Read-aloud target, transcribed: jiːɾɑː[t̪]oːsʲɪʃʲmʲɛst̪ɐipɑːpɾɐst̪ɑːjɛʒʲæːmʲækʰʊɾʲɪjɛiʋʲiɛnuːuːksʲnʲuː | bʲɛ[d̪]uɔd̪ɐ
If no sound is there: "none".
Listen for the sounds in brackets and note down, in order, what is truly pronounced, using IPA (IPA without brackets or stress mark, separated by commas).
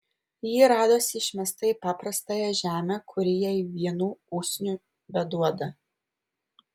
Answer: d̪, d̪